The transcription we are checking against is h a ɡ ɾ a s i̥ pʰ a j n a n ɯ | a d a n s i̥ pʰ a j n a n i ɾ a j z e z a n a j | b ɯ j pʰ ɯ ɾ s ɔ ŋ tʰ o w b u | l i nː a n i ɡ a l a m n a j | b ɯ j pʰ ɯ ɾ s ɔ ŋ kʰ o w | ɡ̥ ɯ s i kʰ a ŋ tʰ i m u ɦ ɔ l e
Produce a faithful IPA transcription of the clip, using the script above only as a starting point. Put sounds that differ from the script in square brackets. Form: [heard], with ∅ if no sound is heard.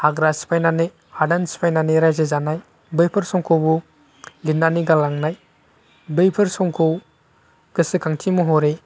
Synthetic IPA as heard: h a ɡ ɾ a s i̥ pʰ a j n a n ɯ | a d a n s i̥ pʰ a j n a n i ɾ a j z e z a n a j | b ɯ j pʰ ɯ ɾ s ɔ ŋ [kʰ] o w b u | l i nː a n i ɡ a l a [ŋ] n a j | b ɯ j pʰ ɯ ɾ s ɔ ŋ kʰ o w | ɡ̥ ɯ s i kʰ a ŋ tʰ i m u ɦ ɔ [ɾ] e

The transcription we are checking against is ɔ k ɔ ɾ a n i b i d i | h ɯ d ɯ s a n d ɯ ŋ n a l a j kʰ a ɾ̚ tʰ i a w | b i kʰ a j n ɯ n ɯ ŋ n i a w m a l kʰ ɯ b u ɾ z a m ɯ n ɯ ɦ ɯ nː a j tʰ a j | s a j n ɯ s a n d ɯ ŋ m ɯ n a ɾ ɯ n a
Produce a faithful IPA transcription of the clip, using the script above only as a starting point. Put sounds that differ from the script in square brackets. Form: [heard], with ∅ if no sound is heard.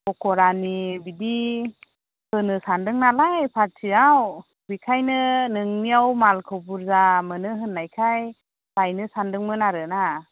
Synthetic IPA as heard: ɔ k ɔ ɾ a n i b i d i | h ɯ [n] ɯ s a n d ɯ ŋ n a l a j [pʰ] a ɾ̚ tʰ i a w | b i kʰ a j n ɯ n ɯ ŋ n i a w m a l kʰ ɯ b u ɾ z a m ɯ n ɯ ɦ ɯ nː a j [kʰ] a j | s a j n ɯ s a n d ɯ ŋ m ɯ n a ɾ ɯ n a

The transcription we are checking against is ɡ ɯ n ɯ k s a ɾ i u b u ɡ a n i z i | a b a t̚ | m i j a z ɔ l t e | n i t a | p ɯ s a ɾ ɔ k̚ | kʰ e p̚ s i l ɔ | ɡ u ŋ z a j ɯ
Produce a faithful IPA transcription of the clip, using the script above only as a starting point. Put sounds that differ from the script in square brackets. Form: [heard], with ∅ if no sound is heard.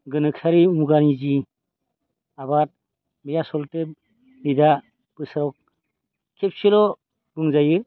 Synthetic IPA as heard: ɡ ɯ n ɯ k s a ɾ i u [m] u ɡ a n i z i | a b a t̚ | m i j a [s] ɔ l t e | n i [d] a | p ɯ s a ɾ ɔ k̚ | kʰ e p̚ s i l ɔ | ɡ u ŋ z a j ɯ

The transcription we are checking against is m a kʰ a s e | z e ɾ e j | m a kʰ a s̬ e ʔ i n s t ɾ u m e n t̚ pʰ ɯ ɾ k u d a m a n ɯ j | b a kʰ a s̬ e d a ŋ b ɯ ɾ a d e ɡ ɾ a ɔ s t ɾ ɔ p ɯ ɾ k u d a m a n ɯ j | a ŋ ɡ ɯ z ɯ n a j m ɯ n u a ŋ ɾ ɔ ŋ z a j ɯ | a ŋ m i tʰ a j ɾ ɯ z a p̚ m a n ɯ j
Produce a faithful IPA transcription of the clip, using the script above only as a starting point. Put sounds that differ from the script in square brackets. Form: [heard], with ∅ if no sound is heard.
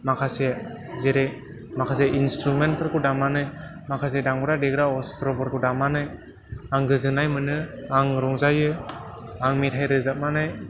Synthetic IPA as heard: m a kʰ a s e | z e ɾ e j | m a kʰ a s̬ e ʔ i n s t ɾ u m e n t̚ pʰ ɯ ɾ k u d a m a n ɯ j | [m] a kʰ a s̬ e d a ŋ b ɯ ɾ a d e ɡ ɾ a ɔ s t ɾ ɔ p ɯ ɾ k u d a m a n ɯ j | a ŋ ɡ ɯ z ɯ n a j m ɯ n [ɯ] a ŋ ɾ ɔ ŋ z a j ɯ | a ŋ m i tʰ a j ɾ ɯ z a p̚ m a n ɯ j

